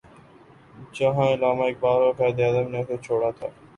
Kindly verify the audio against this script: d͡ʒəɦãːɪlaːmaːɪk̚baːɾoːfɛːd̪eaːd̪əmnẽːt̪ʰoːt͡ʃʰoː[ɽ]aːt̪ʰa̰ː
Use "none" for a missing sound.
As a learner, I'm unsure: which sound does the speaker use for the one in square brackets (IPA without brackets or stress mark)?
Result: ɽ